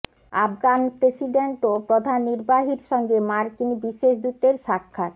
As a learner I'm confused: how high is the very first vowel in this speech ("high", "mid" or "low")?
low